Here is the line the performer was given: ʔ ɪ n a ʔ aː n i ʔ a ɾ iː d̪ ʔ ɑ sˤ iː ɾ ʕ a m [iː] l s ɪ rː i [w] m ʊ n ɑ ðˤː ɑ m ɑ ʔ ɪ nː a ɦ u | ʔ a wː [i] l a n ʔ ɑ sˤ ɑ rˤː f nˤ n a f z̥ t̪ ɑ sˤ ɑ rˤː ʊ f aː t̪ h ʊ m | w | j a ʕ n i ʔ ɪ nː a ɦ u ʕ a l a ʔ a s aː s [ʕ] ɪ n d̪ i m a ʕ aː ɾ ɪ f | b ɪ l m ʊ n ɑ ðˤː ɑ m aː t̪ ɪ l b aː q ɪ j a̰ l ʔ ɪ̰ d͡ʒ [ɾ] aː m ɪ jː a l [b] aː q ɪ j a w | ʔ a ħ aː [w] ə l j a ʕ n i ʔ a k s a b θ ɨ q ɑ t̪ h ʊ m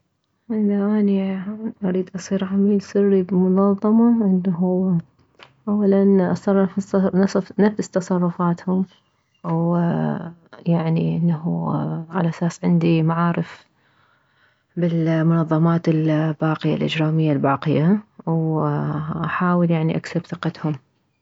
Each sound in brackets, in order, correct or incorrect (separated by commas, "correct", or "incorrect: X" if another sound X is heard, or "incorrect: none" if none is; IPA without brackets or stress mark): correct, incorrect: b, incorrect: a, correct, correct, correct, correct